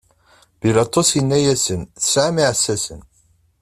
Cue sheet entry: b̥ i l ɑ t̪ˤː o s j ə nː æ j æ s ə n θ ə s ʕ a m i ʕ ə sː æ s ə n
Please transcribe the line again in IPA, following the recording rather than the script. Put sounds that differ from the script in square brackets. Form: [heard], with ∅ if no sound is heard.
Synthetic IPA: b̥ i l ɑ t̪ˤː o s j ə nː æ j æ s ə n θ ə s ʕ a m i ʕ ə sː æ s ə n